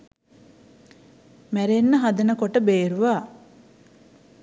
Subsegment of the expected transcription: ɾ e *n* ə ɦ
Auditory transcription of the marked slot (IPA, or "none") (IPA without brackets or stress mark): nː